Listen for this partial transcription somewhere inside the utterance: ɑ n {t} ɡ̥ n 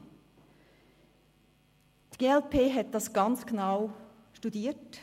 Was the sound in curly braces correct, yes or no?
no